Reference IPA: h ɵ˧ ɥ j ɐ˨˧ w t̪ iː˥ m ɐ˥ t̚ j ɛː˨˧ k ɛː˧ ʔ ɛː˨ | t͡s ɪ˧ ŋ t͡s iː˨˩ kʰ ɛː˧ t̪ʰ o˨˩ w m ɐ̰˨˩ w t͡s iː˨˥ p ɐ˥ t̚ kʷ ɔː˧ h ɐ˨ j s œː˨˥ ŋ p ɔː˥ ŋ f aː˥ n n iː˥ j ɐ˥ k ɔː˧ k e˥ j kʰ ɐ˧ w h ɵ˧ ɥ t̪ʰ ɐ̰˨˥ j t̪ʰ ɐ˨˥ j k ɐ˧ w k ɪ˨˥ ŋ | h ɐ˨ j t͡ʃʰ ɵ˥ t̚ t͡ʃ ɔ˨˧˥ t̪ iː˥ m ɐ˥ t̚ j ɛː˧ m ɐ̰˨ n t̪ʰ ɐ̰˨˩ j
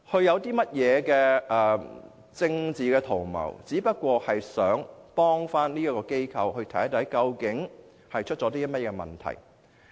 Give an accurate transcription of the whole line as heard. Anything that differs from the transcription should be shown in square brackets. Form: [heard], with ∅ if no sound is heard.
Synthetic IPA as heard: h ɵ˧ ɥ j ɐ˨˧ w t̪ iː˥ m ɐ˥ t̚ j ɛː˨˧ k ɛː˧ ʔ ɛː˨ | t͡s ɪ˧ ŋ t͡s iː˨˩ [k] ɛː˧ t̪ʰ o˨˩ w m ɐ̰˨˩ w t͡s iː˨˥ p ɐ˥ t̚ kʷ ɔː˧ h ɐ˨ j s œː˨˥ ŋ p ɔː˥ ŋ f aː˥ n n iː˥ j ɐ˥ k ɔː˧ k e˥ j kʰ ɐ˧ w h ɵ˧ ɥ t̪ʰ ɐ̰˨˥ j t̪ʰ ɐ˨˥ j k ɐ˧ w k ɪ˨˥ ŋ | h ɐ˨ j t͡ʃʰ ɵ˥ t̚ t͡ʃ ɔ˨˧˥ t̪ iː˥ m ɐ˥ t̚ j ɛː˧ m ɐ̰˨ n t̪ʰ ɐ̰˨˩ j